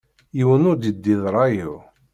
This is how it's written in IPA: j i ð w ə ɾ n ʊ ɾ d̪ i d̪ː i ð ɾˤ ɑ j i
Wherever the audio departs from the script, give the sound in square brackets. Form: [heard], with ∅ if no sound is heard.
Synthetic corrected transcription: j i [∅] w ə [∅] n ʊ ɾ d̪ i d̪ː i ð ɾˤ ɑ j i